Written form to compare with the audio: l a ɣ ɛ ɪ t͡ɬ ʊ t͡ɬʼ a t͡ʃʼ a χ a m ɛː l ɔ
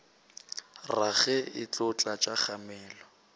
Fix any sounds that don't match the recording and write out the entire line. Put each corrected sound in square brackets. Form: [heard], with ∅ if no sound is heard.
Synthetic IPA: [r] a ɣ ɛ ɪ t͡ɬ ʊ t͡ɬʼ a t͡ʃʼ a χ a m ɛː l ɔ